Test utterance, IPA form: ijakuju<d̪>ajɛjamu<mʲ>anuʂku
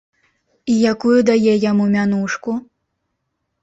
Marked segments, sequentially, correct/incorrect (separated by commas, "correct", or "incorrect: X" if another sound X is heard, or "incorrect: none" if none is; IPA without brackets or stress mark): correct, correct